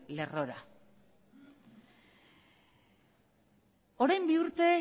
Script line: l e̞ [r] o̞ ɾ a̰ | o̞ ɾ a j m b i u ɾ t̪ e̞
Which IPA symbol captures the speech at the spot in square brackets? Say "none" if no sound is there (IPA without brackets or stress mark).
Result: r